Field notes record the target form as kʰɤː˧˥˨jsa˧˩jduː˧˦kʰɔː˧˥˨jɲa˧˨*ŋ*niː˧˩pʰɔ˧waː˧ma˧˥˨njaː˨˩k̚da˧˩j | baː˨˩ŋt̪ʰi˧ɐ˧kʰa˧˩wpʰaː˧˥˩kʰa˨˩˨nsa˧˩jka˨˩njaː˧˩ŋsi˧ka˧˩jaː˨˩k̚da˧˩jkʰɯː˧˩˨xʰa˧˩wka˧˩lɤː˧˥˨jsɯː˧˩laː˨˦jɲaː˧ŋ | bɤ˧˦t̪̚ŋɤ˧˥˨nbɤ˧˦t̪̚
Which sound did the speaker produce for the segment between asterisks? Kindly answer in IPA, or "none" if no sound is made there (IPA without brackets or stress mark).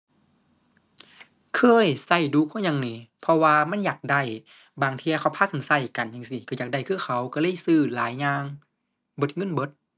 ŋ